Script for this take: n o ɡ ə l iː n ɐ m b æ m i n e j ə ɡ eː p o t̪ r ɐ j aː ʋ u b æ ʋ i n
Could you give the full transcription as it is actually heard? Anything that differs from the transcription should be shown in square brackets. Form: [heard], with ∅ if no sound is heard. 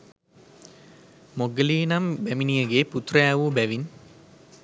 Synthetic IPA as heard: [m] o ɡ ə l iː n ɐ m b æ m i n [i] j ə ɡ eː p [u] t̪ r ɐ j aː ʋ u b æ ʋ i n